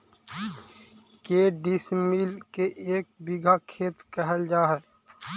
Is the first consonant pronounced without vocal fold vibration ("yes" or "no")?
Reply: yes